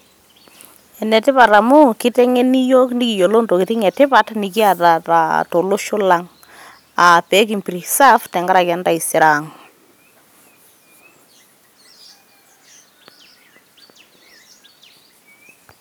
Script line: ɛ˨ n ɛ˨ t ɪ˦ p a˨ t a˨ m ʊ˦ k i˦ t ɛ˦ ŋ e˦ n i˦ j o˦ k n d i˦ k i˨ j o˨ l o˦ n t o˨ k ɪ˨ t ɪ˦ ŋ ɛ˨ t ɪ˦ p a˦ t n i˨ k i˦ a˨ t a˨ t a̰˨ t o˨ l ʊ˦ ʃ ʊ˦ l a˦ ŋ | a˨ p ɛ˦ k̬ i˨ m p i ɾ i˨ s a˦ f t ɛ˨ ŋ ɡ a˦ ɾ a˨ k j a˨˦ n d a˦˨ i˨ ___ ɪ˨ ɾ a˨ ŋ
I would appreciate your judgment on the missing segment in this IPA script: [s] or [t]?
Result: s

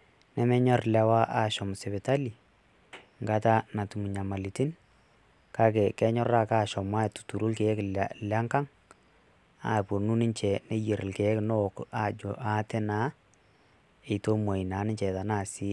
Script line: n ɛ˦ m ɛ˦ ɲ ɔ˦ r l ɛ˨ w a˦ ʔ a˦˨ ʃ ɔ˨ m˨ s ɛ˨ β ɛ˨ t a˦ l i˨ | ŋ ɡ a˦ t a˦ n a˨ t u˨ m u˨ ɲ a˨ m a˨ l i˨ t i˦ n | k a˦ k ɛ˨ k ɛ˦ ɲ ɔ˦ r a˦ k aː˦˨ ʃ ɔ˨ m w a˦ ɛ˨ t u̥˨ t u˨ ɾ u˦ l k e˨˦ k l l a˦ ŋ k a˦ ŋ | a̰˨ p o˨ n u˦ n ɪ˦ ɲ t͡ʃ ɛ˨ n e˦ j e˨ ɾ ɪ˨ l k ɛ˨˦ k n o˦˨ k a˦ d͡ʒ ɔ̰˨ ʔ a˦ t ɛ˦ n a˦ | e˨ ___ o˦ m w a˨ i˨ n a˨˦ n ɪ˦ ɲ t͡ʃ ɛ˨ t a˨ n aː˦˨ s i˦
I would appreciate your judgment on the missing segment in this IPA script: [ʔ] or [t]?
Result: t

